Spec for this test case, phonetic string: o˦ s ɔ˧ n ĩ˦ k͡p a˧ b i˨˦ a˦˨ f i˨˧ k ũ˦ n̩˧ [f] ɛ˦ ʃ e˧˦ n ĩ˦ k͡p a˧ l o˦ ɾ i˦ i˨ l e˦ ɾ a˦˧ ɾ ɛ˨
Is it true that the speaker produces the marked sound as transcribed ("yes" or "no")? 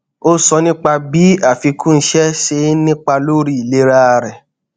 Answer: no